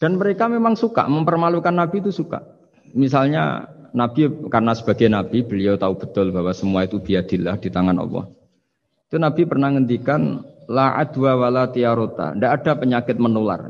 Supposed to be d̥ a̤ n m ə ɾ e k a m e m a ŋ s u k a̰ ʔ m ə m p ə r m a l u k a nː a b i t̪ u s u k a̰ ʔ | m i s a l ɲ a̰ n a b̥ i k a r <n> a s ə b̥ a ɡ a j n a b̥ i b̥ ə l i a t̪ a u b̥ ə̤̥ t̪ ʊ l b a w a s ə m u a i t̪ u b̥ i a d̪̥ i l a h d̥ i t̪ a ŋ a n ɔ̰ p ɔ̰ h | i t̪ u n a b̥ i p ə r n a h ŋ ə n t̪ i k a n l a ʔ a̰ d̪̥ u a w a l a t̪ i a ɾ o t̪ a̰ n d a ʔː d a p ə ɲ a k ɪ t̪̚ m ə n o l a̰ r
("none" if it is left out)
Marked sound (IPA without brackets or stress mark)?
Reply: n